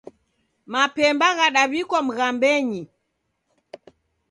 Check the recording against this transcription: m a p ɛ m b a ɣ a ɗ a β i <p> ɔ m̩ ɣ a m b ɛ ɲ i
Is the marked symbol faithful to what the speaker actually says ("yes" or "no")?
no